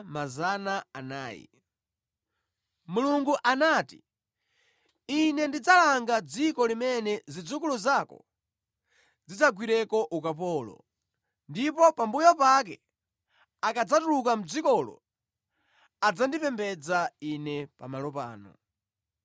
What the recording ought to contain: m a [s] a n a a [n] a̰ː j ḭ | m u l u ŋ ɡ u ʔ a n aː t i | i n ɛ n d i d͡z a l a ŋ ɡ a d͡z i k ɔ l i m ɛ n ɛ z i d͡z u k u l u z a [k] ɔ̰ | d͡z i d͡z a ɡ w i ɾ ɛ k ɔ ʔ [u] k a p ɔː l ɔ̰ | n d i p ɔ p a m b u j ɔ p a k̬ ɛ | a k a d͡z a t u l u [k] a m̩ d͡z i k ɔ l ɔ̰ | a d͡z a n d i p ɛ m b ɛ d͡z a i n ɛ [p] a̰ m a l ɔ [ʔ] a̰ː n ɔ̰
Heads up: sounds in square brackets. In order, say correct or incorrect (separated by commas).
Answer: incorrect, correct, correct, correct, correct, correct, incorrect